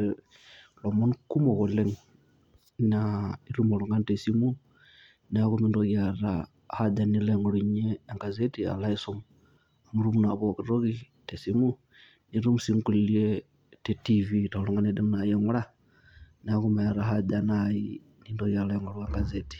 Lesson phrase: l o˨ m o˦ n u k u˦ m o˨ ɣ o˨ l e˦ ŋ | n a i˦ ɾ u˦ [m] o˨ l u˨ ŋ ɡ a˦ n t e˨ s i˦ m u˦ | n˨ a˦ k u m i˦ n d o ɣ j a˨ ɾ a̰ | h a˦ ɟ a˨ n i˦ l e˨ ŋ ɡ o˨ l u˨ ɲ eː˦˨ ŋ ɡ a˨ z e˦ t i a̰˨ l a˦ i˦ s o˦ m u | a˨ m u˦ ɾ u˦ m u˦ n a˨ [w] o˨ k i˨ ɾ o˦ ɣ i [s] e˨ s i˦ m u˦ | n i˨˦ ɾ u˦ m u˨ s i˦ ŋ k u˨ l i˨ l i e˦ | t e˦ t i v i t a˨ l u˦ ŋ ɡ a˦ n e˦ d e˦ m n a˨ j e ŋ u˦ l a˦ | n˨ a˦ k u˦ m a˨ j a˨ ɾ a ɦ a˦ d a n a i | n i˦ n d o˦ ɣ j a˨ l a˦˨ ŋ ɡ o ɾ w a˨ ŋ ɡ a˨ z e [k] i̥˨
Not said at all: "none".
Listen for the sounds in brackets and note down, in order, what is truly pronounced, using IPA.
m, β, t, t

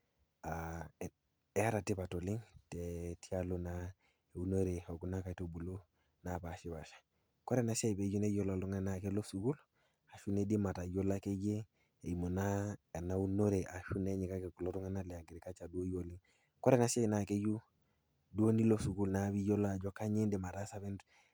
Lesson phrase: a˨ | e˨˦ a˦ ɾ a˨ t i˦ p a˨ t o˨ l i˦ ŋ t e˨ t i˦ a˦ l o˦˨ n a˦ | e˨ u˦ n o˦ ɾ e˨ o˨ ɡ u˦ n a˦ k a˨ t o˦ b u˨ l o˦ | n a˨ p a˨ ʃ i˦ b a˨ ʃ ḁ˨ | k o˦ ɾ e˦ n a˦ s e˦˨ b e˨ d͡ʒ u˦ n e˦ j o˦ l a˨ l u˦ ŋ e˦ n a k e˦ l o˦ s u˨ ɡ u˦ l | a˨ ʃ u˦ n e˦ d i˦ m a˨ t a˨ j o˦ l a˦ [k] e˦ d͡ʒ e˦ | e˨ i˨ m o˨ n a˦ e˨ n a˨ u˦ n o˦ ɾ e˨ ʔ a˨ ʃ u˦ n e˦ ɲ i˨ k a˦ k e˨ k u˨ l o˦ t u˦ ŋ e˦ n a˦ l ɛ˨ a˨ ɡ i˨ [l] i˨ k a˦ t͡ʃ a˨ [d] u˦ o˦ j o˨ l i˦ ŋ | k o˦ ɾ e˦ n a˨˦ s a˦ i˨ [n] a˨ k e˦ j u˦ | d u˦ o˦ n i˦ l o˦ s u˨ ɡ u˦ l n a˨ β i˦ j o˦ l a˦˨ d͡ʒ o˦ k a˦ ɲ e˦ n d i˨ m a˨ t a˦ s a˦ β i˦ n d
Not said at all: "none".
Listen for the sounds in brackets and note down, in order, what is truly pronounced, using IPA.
k, ɾ, d, n

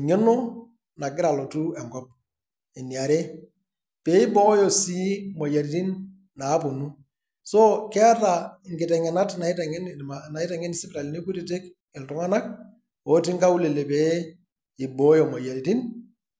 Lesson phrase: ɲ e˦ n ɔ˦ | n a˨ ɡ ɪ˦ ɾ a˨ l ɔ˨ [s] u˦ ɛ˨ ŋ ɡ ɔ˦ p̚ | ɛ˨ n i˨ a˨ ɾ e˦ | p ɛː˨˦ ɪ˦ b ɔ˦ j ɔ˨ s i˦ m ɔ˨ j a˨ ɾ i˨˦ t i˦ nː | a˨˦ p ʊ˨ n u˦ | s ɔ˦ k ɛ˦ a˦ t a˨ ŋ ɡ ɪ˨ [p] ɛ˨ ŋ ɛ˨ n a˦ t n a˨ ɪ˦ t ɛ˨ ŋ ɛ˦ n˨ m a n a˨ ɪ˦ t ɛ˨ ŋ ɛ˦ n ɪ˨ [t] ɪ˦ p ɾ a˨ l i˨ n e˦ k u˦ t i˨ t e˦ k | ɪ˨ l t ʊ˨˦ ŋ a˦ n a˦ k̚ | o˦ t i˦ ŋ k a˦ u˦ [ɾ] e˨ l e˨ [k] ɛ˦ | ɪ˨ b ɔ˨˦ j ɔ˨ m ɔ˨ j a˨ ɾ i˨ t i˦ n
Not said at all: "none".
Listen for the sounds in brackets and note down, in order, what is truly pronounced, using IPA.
t, t, s, l, p

